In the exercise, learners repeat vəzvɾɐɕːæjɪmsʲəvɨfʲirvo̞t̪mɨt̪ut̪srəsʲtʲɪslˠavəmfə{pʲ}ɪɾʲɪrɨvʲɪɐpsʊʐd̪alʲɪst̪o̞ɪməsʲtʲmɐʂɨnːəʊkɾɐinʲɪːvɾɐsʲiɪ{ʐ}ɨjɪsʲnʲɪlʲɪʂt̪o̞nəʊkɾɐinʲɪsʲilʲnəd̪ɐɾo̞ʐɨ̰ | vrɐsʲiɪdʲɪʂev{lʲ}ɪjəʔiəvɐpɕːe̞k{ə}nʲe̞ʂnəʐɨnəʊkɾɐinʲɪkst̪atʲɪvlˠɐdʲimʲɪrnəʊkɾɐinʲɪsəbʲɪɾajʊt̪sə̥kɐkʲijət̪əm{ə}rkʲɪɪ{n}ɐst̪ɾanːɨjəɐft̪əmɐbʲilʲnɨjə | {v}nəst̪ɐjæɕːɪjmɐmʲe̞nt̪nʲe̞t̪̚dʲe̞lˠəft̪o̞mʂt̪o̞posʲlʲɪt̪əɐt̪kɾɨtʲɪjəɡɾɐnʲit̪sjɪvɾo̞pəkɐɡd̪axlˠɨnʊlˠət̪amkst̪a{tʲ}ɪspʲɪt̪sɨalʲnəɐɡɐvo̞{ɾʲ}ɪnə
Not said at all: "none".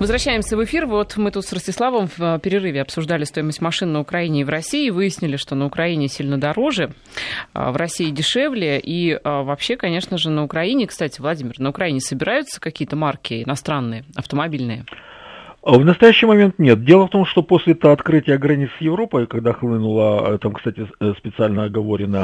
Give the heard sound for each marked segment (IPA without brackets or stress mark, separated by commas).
pʲ, v, lʲ, ɐ, a, n, v, tʲ, ɾʲ